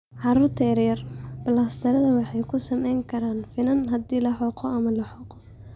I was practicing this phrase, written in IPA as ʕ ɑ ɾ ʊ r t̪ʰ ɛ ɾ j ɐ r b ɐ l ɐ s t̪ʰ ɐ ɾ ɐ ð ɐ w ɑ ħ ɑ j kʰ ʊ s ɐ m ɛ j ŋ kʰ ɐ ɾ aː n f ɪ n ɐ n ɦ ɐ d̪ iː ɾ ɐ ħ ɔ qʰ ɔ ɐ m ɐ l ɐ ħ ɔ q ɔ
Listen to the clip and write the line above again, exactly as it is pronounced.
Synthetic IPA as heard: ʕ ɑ ɾ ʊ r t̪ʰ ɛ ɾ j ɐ r b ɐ l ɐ s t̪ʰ ɐ ɾ ɐ ð ɐ w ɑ ħ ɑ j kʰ ʊ s ɐ m ɛ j ŋ kʰ ɐ ɾ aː n f ɪ n ɐ n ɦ ɐ d̪ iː l ɐ ħ ɔ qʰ ɔ ɐ m ɐ l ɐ ħ ɔ q ɔ